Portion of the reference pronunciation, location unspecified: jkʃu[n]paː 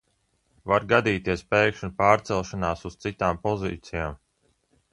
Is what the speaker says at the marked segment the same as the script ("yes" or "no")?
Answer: yes